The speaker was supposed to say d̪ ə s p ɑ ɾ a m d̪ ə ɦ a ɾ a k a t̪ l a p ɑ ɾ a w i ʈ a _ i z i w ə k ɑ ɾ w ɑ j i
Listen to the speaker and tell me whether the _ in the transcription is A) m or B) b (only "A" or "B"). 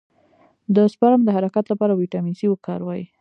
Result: A